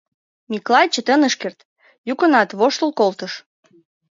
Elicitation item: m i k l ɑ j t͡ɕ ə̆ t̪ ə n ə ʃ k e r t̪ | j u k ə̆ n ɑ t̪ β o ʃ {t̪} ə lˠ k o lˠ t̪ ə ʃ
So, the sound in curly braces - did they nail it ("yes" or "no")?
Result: yes